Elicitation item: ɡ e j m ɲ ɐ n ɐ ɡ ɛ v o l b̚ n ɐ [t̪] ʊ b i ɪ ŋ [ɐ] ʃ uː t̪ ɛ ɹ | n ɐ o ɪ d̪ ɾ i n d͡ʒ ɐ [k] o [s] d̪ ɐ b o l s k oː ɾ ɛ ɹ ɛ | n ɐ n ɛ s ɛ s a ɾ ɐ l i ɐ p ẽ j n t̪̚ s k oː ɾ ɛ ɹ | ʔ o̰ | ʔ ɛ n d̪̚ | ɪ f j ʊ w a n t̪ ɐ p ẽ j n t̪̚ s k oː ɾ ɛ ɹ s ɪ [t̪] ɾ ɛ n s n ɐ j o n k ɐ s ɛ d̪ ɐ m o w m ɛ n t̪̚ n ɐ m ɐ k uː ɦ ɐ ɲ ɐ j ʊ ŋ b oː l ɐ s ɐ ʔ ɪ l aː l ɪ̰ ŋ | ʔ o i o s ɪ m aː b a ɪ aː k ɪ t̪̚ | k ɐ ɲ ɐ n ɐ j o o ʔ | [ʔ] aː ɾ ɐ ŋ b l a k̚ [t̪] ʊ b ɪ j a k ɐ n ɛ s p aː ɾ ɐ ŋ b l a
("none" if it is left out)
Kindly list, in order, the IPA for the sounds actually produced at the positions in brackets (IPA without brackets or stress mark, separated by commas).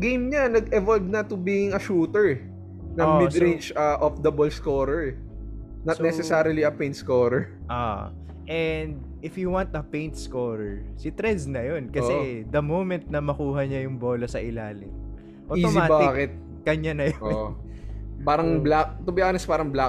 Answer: t̪, ɐ, ʔ, f, t̪, p, t̪